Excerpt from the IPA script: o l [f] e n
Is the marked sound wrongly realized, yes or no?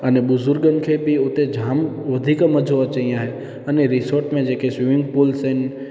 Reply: yes